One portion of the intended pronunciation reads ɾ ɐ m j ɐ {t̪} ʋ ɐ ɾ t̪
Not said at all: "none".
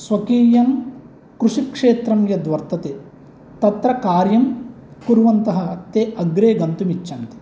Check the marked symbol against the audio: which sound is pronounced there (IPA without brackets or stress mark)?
d̪